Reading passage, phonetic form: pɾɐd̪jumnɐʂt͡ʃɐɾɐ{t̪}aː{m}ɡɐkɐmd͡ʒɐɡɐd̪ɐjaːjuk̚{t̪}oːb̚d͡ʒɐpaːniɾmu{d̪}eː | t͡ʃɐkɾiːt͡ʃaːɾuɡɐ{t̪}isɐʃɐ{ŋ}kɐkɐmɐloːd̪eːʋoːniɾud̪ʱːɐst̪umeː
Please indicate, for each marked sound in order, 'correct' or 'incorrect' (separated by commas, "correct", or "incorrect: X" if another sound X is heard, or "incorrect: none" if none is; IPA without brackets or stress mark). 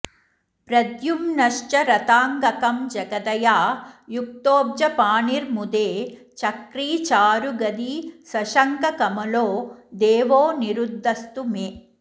correct, incorrect: ŋ, correct, correct, incorrect: d̪, correct